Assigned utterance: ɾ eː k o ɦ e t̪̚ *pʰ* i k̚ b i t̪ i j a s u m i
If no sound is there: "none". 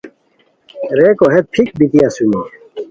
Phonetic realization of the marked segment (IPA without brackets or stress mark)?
pʰ